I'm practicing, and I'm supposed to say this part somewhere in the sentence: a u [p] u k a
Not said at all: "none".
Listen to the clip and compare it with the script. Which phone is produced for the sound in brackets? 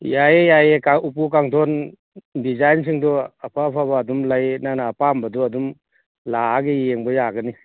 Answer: p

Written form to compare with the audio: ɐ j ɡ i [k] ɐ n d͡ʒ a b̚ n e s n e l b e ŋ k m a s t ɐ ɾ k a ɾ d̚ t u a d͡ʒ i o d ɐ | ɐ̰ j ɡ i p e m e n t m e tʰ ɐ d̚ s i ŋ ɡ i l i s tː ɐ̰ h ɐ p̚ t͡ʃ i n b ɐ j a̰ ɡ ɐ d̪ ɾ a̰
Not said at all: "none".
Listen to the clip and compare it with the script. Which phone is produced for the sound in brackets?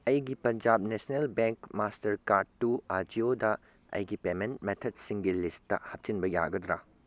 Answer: p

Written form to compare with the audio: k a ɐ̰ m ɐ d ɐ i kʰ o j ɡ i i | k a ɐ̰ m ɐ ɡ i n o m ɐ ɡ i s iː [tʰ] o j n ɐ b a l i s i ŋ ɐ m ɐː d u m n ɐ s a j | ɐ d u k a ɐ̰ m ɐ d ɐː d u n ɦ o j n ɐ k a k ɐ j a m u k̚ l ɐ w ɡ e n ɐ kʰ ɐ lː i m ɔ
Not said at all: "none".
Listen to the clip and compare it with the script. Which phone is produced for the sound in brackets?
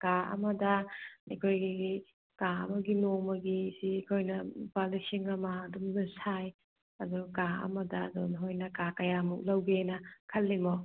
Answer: kʰ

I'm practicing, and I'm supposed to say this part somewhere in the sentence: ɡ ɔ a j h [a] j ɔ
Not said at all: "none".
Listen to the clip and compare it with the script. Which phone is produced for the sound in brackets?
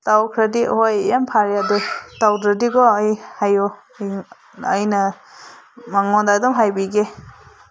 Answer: a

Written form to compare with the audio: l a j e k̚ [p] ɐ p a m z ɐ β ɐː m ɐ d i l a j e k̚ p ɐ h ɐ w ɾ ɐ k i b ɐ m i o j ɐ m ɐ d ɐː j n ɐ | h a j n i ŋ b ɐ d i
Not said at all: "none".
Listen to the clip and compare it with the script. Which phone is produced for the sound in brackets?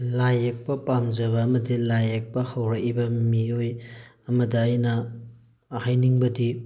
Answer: p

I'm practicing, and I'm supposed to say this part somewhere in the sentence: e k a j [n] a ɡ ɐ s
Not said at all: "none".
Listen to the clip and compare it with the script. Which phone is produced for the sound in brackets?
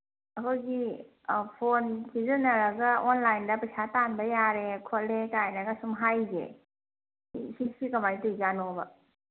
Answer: n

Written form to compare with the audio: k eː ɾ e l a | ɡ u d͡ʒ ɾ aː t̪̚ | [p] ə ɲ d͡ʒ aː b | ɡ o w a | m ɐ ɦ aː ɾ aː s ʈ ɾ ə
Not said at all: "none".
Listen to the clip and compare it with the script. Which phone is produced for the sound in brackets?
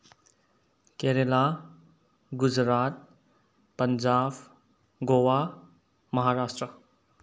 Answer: p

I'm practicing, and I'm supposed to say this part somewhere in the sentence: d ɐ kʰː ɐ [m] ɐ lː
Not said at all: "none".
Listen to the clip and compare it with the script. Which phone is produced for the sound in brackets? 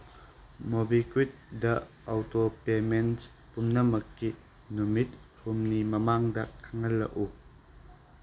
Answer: ŋ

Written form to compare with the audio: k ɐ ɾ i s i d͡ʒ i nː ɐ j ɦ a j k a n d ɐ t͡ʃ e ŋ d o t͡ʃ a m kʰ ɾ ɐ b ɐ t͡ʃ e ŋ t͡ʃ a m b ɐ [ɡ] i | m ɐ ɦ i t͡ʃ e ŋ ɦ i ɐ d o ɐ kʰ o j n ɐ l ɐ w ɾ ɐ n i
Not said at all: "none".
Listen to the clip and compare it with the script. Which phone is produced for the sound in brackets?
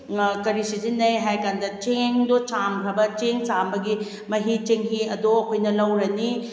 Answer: ɡ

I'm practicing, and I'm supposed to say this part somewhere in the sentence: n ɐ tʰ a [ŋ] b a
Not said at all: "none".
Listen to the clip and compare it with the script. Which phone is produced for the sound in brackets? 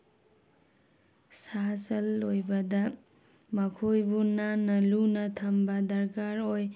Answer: m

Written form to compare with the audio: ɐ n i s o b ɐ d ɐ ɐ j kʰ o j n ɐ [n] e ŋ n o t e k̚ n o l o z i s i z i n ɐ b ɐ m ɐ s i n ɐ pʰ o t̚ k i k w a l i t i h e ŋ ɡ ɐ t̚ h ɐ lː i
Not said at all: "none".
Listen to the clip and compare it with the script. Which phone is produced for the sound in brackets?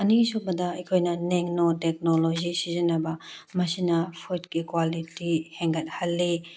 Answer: n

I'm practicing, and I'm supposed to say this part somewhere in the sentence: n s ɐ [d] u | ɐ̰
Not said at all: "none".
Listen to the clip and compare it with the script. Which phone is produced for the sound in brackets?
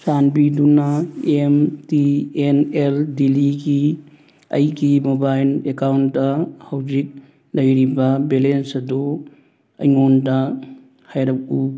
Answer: d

